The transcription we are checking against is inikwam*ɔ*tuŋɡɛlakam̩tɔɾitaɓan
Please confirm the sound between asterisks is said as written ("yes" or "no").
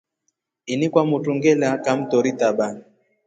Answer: no